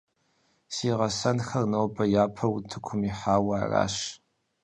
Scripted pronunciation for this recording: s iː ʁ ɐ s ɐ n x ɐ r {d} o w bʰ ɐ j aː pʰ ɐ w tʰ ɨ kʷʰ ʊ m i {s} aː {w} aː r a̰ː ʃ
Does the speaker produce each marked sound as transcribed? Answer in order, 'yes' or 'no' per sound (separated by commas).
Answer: no, no, yes